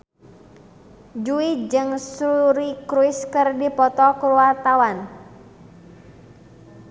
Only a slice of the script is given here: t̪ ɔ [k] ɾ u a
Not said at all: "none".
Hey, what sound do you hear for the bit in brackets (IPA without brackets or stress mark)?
k